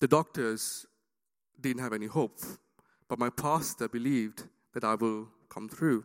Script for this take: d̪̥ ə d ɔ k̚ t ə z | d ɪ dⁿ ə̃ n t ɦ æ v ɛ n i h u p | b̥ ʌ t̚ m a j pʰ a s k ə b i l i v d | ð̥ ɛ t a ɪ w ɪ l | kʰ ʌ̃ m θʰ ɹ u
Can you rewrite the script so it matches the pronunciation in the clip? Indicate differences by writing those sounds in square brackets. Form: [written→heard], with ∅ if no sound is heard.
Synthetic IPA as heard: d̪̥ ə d ɔ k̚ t ə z | d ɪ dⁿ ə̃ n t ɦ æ v ɛ n i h [u→o] p | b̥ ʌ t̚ m a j pʰ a s [k→t] ə b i l i v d | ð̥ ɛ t a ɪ w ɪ l | kʰ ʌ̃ m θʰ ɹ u